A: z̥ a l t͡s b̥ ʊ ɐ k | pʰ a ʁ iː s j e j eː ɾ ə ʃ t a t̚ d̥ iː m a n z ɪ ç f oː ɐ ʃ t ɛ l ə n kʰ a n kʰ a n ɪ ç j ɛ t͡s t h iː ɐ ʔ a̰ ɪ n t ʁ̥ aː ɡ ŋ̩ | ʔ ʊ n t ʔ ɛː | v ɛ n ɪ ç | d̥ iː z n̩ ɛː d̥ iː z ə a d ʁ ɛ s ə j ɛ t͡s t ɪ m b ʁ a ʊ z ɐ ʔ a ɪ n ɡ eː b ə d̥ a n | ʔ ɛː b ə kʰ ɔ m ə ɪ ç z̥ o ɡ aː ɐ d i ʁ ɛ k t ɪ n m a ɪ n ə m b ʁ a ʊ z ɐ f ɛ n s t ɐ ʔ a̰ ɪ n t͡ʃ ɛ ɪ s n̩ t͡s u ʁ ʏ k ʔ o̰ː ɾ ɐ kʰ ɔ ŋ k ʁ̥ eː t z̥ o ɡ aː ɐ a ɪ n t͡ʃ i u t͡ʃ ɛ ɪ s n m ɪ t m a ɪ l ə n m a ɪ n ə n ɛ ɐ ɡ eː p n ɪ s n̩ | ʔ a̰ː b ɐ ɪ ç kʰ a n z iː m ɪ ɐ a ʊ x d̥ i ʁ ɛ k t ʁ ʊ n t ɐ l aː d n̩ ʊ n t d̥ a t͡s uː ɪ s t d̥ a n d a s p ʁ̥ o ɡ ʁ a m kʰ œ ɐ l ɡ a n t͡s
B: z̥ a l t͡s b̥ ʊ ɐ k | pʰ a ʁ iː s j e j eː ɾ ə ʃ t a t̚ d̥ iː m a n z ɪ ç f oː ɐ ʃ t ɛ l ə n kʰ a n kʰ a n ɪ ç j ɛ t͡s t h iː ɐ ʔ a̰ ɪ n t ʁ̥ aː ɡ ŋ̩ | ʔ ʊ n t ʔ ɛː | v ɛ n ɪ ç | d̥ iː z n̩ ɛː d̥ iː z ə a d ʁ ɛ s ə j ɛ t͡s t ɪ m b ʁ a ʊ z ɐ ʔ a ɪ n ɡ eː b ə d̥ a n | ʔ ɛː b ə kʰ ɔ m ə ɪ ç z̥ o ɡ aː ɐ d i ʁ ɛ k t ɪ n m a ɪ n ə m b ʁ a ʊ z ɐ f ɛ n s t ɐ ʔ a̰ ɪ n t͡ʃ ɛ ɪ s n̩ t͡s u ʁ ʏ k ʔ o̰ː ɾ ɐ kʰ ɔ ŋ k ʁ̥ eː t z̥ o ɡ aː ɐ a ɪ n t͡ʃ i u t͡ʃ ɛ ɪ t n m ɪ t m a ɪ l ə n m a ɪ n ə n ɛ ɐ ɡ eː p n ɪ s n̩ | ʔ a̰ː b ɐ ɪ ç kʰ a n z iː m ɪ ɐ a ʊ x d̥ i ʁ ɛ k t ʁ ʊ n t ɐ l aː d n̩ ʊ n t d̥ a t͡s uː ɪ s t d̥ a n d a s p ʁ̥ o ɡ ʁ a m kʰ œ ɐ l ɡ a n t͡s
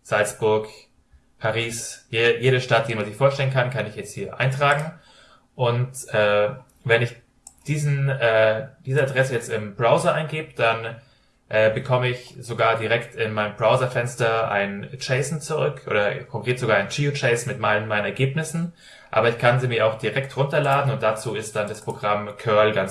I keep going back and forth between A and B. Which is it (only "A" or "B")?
A